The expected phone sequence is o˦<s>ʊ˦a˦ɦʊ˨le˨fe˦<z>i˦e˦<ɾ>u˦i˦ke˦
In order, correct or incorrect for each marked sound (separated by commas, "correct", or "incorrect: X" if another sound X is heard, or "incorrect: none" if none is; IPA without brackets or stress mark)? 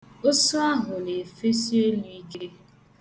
correct, incorrect: s, incorrect: l